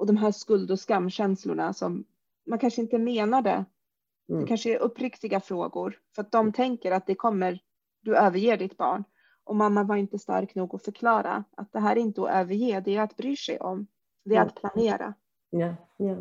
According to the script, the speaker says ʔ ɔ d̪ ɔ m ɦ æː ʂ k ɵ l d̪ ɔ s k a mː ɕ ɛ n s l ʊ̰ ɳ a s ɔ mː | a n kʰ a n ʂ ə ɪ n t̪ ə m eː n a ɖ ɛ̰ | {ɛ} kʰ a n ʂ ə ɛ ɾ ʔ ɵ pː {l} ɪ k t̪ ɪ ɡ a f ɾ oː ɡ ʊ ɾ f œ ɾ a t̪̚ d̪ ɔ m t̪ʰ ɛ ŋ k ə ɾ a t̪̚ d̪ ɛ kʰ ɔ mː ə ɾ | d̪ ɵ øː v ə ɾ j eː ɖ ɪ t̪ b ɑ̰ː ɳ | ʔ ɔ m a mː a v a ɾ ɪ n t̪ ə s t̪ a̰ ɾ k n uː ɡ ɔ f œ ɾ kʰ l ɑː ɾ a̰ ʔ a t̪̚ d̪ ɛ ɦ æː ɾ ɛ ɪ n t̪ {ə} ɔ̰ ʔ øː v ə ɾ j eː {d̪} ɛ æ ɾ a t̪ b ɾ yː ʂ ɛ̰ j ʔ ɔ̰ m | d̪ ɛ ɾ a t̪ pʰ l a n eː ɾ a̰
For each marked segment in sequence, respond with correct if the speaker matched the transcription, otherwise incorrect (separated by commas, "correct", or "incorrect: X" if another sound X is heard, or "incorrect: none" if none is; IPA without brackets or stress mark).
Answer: correct, incorrect: ɾ, correct, correct